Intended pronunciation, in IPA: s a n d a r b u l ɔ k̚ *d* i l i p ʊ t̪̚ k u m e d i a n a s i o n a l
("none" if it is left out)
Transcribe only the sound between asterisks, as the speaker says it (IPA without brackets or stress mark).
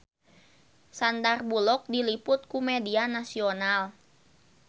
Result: d